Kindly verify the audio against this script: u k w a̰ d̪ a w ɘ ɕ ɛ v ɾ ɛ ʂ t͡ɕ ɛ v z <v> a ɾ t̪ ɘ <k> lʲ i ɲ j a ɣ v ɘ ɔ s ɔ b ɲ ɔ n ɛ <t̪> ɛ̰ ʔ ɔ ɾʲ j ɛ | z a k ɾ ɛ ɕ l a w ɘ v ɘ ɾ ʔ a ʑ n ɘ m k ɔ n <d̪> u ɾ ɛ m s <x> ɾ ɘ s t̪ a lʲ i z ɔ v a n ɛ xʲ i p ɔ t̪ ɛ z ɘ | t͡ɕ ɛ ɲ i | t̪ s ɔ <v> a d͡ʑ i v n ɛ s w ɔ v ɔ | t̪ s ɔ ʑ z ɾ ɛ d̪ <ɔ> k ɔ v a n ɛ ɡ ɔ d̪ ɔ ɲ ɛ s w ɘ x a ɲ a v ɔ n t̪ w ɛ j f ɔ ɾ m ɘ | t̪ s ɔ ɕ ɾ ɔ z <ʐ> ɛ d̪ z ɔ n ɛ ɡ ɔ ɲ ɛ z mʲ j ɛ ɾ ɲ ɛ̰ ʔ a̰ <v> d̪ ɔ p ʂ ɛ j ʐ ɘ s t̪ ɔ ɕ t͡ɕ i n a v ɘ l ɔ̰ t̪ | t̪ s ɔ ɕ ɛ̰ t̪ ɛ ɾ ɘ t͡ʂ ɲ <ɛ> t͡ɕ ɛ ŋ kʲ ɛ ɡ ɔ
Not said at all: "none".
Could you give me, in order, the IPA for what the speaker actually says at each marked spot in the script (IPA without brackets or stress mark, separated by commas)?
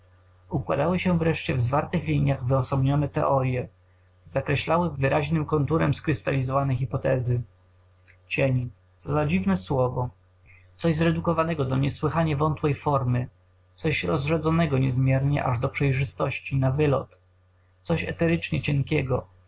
v, x, t̪, t̪, k, z, u, ʐ, ʐ, ɛ